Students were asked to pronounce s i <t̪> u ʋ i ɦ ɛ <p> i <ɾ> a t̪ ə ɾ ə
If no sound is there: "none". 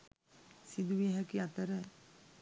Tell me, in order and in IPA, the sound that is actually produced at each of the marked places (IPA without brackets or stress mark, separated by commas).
d̪, k, none